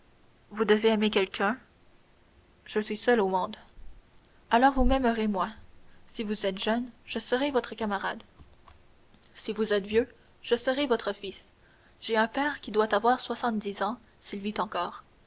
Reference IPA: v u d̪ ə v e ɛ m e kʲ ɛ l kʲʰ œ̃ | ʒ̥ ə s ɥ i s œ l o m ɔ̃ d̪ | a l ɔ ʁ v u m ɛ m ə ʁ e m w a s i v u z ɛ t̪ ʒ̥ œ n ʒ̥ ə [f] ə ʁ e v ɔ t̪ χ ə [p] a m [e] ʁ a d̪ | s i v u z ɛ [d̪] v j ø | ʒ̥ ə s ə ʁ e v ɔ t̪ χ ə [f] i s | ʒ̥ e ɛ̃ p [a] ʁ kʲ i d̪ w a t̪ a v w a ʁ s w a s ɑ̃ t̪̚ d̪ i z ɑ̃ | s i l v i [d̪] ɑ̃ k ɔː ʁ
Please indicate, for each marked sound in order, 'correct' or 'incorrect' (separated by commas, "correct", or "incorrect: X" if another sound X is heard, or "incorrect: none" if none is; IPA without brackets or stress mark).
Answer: incorrect: s, incorrect: k, incorrect: a, incorrect: t̪, correct, incorrect: ɛ, incorrect: t̪